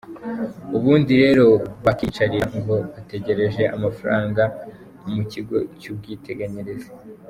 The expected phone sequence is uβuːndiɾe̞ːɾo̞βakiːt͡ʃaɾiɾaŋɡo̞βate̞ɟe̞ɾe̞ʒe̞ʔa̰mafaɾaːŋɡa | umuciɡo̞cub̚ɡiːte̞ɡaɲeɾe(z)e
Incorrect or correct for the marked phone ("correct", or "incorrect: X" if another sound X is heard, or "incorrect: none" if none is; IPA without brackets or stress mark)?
correct